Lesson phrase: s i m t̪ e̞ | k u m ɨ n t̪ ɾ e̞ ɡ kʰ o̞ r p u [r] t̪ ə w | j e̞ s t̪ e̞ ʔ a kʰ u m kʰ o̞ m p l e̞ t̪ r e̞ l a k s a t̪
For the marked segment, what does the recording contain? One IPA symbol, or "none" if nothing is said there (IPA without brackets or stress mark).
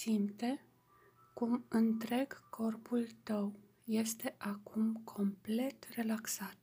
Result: l